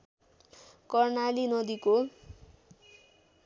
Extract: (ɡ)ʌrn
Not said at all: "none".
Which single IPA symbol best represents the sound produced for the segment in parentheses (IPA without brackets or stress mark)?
k